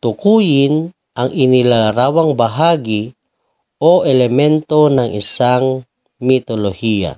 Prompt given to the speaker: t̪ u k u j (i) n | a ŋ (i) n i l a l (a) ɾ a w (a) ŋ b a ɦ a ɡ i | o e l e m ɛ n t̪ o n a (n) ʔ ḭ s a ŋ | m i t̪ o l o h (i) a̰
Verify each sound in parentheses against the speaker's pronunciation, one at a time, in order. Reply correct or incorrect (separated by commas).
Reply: correct, correct, correct, correct, incorrect, correct